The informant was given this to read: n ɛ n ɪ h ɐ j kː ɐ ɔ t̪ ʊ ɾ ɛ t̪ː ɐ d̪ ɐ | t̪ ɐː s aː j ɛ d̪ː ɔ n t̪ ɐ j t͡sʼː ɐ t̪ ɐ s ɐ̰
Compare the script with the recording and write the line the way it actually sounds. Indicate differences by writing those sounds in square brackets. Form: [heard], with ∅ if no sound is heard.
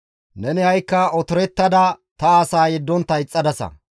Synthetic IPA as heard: n ɛ n ɪ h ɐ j kː ɐ ɔ t̪ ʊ ɾ ɛ t̪ː ɐ d̪ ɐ | t̪ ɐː s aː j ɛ d̪ː ɔ n t̪ ɐ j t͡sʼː ɐ [d̪] ɐ s ɐ̰